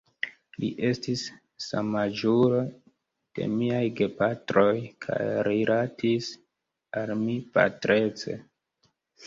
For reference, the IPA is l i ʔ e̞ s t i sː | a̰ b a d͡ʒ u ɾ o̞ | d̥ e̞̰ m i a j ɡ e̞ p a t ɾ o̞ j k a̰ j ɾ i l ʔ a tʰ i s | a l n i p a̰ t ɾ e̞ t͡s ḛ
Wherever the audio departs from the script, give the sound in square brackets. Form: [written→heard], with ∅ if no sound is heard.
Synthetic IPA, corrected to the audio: l i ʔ e̞ s t i sː | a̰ [b→m] a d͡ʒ u ɾ o̞ | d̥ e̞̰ m i a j ɡ e̞ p a t ɾ o̞ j [k→kʰ] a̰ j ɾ i l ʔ a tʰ i s | a l [n→m] i p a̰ t ɾ e̞ t͡s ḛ